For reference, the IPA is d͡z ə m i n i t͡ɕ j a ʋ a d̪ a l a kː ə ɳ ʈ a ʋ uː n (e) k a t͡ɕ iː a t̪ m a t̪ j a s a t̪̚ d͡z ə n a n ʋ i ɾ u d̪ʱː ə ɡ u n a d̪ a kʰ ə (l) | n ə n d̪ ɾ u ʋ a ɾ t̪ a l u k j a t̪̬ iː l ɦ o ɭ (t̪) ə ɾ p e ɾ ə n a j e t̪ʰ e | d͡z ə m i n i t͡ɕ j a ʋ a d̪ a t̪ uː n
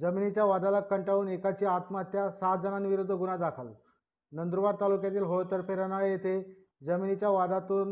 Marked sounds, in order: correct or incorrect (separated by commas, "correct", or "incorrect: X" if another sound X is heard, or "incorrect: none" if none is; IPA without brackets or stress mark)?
correct, correct, correct